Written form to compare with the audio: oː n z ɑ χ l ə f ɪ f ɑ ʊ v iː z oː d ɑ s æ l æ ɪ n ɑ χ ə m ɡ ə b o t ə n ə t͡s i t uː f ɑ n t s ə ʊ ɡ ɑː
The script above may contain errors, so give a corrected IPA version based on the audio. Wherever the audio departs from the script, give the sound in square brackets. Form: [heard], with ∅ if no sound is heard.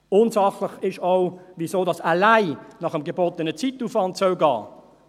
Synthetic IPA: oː n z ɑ χ l ə [χ] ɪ [ʃ] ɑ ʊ v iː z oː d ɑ s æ l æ ɪ n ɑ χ ə m ɡ ə b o t ə n ə t͡s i t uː f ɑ n t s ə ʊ ɡ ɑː

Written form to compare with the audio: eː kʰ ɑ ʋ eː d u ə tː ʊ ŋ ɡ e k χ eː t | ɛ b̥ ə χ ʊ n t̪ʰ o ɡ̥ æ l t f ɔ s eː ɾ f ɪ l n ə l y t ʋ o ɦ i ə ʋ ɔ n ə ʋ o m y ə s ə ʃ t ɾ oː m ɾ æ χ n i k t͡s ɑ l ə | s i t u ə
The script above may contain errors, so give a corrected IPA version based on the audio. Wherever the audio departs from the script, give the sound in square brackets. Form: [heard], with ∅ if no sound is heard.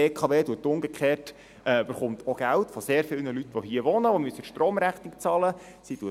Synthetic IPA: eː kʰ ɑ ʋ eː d u ə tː ʊ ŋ ɡ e k χ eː t | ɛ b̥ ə χ ʊ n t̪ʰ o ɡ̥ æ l t f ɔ s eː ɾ f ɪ l n ə l y t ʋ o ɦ i ə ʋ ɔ n ə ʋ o m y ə s ə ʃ t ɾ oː m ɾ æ χ n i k t͡s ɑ l ə | s i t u ə

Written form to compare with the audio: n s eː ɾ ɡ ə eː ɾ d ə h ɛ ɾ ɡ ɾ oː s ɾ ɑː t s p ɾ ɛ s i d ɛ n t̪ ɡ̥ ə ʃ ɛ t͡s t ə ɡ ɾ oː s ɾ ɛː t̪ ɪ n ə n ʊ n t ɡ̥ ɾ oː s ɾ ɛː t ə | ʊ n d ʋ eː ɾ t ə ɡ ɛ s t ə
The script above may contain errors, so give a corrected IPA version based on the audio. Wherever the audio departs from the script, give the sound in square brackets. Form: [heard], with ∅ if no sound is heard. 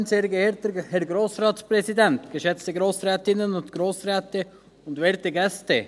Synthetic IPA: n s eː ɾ ɡ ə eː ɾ [t] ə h ɛ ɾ ɡ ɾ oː s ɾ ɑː t s p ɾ ɛ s i d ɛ n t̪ ɡ̥ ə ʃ ɛ t͡s t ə ɡ ɾ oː s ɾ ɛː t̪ ɪ n ə n ʊ n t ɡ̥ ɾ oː s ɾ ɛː t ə | ʊ n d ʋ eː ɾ t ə ɡ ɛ s t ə

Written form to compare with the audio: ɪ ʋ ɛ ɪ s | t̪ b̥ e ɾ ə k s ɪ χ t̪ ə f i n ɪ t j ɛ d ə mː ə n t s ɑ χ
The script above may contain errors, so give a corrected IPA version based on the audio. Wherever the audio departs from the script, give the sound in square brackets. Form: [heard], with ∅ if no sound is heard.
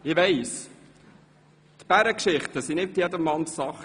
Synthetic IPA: ɪ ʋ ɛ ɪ s | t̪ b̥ [æ] ɾ ə k [ʃ] ɪ χ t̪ ə [s] i n ɪ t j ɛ d ə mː [ɑ] n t s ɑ χ

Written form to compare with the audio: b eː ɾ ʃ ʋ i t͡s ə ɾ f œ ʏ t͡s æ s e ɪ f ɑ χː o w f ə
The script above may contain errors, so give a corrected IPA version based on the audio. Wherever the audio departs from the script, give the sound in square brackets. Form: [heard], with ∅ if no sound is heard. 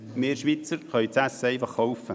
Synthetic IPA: [m] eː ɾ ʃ ʋ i t͡s ə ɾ [χ] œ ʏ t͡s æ s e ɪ f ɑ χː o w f ə

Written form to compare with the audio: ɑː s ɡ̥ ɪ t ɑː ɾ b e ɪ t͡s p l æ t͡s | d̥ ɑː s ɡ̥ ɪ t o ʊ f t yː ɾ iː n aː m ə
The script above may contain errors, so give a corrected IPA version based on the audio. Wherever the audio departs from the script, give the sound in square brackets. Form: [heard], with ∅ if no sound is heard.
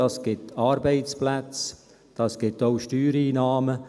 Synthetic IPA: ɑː s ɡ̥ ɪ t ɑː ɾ b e ɪ t͡s p l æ t͡s | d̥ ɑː s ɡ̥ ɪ t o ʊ [ʃ] t yː ɾ iː n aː m ə

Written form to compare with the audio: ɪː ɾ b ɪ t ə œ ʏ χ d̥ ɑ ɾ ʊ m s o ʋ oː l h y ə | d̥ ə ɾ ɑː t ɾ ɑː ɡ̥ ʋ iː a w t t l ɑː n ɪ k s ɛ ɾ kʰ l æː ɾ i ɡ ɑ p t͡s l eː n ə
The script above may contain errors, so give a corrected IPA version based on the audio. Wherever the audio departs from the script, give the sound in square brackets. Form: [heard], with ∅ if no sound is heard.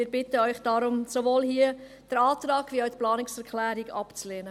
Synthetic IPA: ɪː ɾ b ɪ t ə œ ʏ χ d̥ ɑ ɾ ʊ m s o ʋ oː l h [i] ə | d̥ ə ɾ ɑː t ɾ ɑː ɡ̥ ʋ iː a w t [p] l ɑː n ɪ k s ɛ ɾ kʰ l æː ɾ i ɡ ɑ p t͡s l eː n ə

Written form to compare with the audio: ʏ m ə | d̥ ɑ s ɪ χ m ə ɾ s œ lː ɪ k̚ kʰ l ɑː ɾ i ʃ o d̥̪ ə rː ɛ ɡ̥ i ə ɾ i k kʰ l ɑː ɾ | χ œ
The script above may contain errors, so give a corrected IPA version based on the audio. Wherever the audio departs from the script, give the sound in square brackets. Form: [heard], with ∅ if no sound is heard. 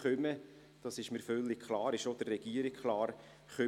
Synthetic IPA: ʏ m ə | d̥ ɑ s ɪ [ʃ] m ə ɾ [f] œ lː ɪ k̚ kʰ l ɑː ɾ [ɪ] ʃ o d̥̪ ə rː ɛ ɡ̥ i ə ɾ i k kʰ l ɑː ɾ | χ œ

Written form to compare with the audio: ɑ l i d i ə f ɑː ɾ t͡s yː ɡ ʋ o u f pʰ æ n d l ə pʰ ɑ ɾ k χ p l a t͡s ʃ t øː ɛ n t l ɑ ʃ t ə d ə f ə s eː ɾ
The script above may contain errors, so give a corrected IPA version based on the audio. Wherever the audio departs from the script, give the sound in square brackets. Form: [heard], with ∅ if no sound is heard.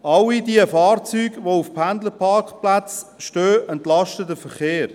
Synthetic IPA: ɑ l i d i ə f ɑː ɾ t͡s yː ɡ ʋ o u f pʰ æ n d l ə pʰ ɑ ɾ k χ p l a t͡s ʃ t øː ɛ n t l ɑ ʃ t ə d ə f ə [χ] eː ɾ

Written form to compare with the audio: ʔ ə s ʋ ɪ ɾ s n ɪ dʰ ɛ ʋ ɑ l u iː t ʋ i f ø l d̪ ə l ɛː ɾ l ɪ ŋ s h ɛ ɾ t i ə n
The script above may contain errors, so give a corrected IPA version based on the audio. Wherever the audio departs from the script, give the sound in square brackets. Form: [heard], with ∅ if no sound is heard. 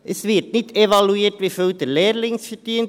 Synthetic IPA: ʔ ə s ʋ ɪ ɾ [t] n ɪ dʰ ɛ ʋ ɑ l u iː t ʋ i f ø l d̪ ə l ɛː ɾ l ɪ ŋ s [f] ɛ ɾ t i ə n

